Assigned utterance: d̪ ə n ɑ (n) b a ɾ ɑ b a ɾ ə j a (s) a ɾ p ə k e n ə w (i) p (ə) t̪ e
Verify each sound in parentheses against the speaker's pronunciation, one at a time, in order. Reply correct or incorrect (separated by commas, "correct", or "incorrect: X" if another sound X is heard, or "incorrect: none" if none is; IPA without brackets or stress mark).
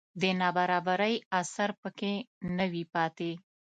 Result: incorrect: none, correct, correct, incorrect: ɑ